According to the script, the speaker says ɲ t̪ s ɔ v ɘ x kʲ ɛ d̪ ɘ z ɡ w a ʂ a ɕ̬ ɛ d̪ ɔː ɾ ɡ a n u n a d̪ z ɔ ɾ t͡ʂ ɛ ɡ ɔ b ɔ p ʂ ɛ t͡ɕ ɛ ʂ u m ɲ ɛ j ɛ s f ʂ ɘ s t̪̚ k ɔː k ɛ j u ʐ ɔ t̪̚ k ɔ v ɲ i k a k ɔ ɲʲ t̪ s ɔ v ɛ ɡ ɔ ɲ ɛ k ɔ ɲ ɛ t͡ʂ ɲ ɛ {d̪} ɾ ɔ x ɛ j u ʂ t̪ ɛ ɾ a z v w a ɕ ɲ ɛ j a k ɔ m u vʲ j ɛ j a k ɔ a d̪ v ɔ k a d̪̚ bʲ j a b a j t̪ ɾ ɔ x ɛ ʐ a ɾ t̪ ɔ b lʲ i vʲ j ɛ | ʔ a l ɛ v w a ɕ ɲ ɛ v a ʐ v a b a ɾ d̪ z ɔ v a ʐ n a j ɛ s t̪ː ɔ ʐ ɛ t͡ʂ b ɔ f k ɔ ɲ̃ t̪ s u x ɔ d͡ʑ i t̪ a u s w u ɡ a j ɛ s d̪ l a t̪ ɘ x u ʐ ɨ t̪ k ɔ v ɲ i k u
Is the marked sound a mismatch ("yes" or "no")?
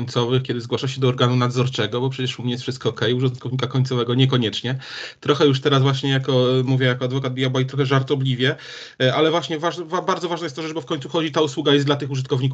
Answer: yes